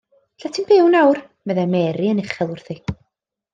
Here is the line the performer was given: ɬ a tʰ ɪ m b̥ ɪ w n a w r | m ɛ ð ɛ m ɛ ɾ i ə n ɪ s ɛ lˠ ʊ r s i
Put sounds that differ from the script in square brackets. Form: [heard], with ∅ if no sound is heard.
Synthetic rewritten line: ɬ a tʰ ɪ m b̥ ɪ w n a w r | m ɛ ð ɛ m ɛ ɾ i ə n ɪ [χ] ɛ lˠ ʊ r [θ] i